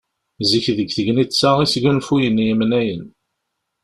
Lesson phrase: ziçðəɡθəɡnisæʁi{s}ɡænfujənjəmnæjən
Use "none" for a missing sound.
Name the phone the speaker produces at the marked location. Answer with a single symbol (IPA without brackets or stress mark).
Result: s